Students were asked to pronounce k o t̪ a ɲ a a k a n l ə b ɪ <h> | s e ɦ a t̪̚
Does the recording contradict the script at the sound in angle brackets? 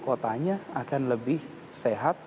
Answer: no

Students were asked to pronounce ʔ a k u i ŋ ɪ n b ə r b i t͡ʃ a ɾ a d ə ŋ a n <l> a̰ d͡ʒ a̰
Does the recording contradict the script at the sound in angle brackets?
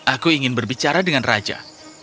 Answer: yes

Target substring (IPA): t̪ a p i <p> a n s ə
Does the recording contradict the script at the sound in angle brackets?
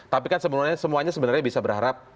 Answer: yes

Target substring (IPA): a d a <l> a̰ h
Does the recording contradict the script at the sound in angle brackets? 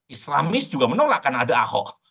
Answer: yes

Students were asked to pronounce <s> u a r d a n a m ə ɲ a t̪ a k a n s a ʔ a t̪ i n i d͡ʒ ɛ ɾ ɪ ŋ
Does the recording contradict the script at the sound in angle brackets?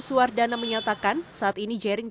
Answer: no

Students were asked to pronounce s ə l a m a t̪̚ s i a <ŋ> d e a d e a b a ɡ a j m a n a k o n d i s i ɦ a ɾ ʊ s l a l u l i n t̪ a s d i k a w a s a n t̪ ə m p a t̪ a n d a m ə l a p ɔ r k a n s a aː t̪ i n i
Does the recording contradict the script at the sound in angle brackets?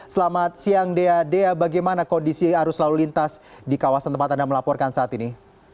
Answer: no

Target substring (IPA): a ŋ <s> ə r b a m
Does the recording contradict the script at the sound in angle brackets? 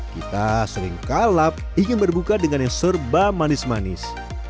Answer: no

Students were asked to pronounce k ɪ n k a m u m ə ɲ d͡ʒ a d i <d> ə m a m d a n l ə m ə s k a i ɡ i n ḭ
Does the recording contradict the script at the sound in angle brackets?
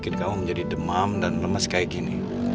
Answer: no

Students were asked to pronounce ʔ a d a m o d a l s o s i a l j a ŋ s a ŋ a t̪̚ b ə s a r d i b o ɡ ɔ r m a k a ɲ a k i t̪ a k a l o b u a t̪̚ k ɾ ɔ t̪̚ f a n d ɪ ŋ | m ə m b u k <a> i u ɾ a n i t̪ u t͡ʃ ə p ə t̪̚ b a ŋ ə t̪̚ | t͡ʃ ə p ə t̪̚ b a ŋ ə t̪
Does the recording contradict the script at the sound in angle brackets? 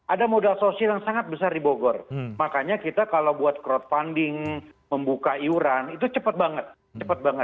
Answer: no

